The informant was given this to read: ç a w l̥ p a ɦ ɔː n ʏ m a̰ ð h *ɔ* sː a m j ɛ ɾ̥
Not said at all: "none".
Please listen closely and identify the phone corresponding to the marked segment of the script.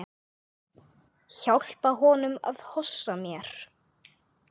ɔ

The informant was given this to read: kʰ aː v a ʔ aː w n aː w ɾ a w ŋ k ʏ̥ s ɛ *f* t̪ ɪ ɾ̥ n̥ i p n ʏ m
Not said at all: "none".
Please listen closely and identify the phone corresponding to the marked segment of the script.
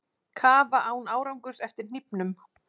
f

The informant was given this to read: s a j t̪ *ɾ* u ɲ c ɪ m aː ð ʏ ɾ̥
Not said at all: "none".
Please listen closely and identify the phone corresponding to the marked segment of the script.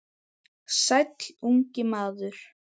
l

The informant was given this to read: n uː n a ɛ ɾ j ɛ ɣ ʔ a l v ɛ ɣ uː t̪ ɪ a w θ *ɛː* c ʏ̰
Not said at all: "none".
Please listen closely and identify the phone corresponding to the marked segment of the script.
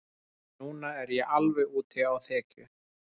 ɛː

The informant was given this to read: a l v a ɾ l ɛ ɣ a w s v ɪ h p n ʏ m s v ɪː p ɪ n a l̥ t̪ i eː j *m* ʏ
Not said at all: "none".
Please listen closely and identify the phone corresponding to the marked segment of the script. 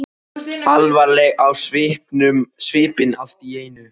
n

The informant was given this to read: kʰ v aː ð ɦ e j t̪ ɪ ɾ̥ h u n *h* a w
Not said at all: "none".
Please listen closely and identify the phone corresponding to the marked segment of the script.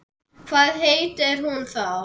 θ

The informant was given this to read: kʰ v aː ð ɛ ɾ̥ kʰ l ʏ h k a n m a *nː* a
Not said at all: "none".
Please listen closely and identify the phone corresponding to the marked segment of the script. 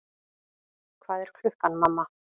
mː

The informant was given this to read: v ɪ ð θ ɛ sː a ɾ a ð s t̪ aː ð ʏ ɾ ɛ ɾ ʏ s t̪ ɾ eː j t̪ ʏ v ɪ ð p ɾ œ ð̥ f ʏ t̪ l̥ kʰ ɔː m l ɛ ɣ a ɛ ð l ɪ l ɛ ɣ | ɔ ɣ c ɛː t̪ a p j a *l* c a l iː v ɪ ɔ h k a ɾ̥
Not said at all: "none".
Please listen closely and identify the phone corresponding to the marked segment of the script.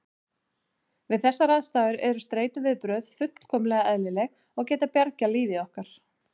ɾ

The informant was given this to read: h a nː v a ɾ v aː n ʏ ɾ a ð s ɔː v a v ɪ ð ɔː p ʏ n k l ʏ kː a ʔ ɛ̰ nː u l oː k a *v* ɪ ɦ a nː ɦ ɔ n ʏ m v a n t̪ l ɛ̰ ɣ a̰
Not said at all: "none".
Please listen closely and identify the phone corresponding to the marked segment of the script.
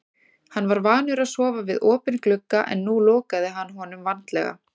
ð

